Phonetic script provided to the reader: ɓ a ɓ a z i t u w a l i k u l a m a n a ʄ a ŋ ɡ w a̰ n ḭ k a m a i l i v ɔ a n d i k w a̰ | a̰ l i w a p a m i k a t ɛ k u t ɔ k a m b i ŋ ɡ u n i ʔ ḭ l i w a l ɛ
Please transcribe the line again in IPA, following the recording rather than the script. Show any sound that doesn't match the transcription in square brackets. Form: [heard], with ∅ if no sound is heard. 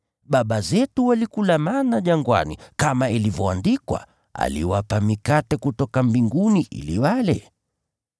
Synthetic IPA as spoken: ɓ a ɓ a z [ɛ] t u w a l i k u l a m a n a ʄ a ŋ ɡ w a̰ n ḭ k a m a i l i v ɔ a n d i k w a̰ | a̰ l i w a p a m i k a t ɛ k u t ɔ k a m b i ŋ ɡ u n i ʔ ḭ l i w a l ɛ

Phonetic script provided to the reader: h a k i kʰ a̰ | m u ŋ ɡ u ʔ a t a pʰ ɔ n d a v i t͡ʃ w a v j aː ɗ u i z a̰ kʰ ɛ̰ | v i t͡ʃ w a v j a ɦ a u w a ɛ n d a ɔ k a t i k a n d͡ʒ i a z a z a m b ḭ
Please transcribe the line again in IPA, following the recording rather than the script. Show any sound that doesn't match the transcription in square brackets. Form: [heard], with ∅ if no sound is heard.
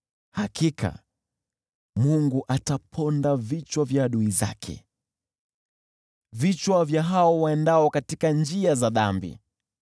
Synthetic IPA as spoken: h a k i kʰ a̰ | m u ŋ ɡ u ʔ a t a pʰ ɔ n d a v i t͡ʃ w a v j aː ɗ u i z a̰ kʰ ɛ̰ | v i t͡ʃ w a v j a ɦ a [ɔ] w a ɛ n d a ɔ k a t i k a n d͡ʒ i a z a [ð] a m b ḭ

